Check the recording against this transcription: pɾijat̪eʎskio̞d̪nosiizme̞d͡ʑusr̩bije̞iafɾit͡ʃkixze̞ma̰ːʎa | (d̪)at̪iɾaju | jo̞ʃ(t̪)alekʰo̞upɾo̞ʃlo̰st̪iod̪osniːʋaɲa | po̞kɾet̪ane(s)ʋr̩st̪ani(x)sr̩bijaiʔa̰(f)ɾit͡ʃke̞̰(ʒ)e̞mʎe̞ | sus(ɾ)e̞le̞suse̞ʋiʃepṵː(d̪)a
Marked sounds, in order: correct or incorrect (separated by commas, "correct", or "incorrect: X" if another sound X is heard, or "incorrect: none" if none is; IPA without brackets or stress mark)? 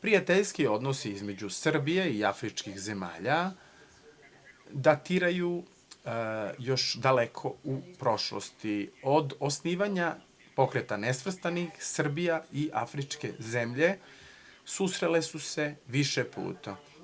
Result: correct, incorrect: d̪, correct, correct, correct, incorrect: z, correct, incorrect: t̪